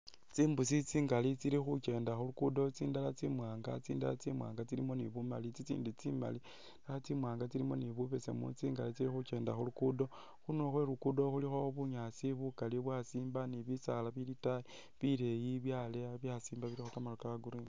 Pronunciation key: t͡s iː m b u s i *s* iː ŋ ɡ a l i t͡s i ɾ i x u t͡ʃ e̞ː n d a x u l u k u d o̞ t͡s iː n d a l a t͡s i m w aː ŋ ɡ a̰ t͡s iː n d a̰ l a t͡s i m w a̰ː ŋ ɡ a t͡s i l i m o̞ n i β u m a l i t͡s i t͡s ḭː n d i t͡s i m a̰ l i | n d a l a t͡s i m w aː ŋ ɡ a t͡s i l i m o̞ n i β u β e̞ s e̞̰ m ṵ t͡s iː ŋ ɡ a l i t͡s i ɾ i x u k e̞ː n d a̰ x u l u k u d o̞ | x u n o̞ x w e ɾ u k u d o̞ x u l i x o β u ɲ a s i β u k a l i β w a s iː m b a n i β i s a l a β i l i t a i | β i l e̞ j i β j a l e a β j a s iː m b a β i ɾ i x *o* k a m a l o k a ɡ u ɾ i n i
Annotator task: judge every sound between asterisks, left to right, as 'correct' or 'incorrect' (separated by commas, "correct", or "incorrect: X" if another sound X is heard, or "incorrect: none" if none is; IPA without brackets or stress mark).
incorrect: t͡s, correct